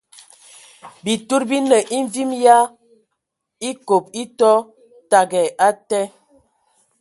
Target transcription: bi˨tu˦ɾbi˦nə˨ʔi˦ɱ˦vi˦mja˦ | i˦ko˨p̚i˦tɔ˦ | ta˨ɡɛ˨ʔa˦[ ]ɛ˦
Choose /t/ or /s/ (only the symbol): t